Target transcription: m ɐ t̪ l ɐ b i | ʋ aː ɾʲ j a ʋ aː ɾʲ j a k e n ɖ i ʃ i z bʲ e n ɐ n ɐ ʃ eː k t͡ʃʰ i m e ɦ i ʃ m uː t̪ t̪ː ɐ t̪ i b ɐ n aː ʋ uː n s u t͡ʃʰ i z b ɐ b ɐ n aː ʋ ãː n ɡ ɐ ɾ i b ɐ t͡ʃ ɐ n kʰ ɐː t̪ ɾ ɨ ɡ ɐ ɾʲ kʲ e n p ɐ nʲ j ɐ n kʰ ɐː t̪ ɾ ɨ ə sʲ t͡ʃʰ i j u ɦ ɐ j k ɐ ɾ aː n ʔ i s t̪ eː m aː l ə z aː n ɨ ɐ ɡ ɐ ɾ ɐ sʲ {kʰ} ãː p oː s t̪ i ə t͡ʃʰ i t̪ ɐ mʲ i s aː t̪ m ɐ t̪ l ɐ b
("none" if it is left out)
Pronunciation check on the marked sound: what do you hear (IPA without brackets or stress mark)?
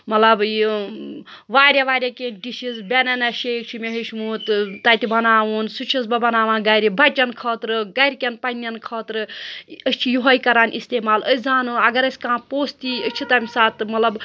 k